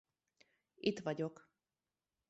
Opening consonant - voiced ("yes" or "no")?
no